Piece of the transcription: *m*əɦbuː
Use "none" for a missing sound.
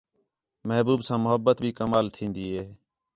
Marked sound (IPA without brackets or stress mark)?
m